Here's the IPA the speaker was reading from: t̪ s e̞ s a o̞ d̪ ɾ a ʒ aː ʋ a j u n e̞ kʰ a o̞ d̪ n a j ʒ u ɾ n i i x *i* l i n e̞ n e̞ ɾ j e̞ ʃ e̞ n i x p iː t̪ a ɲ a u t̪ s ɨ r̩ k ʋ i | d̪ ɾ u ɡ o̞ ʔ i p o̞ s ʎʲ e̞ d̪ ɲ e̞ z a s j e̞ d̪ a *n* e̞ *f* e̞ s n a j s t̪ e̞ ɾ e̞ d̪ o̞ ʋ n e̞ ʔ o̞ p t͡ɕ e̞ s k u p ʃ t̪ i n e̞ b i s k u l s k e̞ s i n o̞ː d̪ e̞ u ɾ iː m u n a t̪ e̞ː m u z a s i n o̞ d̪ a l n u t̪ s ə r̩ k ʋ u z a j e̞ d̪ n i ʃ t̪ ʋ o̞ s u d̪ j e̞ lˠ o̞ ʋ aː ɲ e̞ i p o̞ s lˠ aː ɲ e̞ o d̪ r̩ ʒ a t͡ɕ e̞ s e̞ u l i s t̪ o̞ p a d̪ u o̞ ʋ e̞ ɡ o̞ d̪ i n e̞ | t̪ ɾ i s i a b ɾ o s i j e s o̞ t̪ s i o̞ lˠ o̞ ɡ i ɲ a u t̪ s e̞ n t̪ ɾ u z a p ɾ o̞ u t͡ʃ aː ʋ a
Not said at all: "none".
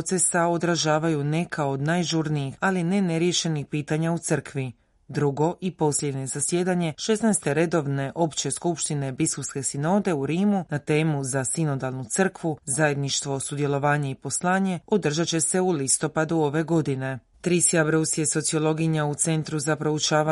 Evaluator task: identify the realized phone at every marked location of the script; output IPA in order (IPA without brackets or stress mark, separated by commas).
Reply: a, ɲ, ʃ